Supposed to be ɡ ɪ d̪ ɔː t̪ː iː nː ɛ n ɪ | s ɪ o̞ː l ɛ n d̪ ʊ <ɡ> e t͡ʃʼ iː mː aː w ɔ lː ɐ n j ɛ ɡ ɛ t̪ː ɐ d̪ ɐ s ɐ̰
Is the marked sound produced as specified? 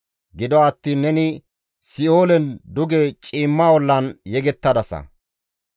yes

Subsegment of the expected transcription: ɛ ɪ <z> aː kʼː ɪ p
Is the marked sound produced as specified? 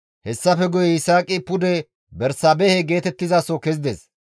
no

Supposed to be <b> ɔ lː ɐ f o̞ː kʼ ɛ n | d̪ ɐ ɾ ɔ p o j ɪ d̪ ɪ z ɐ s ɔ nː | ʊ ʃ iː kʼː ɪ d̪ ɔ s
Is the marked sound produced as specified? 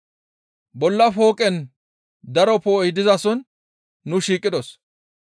yes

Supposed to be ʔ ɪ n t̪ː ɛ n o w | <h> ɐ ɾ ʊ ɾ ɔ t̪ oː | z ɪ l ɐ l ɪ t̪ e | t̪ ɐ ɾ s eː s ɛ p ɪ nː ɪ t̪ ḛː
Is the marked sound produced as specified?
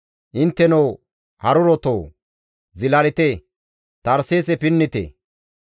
yes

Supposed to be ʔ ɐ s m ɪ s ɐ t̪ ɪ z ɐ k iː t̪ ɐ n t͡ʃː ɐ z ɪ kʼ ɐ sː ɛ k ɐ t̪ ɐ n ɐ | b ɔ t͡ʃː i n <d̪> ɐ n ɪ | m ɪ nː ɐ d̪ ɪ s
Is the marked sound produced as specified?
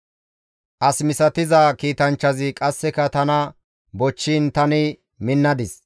no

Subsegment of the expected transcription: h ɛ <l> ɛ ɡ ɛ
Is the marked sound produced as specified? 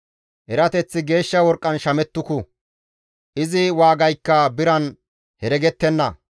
no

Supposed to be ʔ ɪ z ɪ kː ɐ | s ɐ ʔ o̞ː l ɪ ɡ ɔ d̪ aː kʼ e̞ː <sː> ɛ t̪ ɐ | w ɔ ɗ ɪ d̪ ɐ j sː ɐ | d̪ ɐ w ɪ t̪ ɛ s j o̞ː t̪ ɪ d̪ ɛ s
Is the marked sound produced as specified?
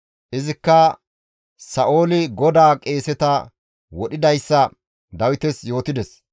no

